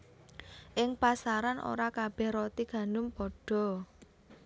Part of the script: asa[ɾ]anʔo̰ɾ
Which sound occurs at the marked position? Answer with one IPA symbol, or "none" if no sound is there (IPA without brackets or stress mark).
ɾ